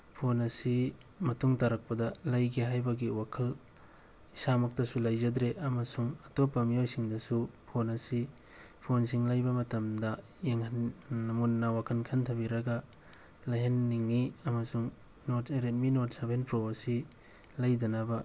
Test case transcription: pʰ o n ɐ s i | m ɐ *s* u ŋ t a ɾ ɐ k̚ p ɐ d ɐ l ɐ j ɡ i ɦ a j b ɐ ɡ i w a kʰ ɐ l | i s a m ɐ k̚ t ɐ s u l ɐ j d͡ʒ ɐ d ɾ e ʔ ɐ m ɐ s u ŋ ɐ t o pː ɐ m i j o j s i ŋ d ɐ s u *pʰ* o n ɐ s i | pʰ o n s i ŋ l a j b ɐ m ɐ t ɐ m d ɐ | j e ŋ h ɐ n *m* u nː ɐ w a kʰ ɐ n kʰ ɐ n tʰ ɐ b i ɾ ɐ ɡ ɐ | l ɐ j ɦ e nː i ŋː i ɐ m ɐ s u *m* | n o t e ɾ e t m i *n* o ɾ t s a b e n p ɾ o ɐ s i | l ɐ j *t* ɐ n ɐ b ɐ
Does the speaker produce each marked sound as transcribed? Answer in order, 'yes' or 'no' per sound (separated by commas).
no, yes, yes, no, yes, no